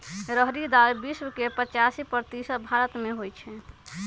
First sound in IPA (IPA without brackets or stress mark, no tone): ɾ